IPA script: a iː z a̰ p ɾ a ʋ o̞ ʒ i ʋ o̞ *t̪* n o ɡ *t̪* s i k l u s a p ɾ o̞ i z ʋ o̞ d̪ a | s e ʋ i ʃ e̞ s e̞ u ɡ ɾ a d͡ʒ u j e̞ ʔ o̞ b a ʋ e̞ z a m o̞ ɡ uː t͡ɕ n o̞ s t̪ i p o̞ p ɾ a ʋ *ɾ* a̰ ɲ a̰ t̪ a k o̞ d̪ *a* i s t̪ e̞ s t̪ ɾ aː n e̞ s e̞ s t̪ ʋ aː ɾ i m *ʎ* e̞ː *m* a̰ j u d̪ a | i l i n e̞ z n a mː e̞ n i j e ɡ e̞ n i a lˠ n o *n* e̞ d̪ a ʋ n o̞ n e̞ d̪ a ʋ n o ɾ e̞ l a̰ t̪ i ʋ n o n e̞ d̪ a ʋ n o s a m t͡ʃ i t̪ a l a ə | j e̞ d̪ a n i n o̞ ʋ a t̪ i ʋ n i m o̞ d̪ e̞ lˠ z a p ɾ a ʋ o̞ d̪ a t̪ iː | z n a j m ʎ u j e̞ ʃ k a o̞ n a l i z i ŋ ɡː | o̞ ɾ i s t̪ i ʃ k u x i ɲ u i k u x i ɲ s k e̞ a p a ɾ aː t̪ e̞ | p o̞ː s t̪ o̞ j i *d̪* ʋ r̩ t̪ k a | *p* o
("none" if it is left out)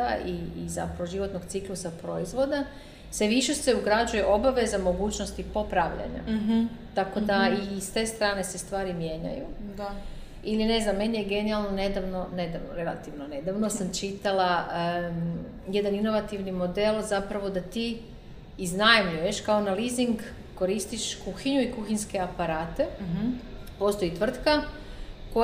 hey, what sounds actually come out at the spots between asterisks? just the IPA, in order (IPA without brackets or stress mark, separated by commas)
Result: t̪, t̪, ʎ, a, j, ɲ, n, t̪, k